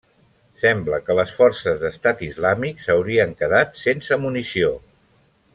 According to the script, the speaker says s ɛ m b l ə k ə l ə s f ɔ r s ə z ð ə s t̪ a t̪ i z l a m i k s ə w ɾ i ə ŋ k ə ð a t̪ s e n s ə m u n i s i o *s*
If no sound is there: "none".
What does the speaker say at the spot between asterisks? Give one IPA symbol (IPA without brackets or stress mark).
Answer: none